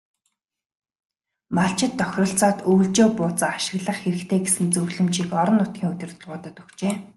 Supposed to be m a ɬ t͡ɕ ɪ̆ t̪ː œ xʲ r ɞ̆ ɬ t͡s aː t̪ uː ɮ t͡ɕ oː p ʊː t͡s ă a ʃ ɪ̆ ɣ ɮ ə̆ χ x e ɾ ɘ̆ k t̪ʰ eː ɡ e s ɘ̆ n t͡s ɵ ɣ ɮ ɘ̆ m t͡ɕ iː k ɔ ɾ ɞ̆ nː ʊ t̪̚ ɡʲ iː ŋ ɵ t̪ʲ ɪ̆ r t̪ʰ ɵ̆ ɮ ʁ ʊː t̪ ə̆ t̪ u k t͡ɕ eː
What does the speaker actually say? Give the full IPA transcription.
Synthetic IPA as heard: m a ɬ t͡ɕ ɪ̆ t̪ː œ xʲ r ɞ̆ ɬ t͡s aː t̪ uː ɮ t͡ɕ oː p ʊː t͡s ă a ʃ ɪ̆ ɣ ɮ ə̆ χ x e ɾ ɘ̆ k t̪ʰ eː ɡ e s ɘ̆ n t͡s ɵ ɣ ɮ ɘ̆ m t͡ɕ iː k ɔ ɾ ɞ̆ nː ʊ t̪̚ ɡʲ iː ŋ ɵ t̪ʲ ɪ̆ r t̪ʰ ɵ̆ ɮ ʁ ʊː t̪ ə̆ t̪ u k t͡ɕ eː